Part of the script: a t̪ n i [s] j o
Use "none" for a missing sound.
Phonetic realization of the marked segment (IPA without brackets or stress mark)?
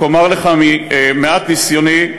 s